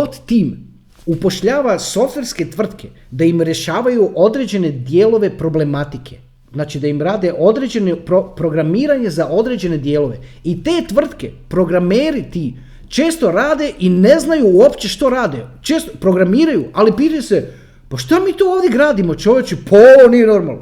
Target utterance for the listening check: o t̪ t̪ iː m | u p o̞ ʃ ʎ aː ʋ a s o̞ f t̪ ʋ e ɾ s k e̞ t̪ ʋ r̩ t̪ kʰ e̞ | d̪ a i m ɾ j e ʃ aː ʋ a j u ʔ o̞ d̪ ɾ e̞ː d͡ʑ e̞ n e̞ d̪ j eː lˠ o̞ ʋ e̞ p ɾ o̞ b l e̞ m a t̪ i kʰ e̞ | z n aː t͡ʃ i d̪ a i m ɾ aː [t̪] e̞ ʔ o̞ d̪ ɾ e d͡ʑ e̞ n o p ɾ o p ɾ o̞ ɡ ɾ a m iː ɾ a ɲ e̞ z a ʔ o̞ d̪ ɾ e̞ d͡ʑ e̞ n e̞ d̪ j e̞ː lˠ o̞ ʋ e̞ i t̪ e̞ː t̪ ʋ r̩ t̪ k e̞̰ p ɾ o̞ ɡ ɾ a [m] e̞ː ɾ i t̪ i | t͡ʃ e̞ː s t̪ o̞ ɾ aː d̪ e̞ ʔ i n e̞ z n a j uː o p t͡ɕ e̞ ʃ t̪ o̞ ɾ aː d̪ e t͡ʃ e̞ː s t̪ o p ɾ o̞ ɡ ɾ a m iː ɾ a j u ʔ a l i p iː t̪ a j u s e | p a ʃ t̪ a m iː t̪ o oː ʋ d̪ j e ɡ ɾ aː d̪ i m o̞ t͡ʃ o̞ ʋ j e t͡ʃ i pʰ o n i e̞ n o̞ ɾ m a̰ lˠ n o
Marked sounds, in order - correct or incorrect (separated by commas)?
incorrect, correct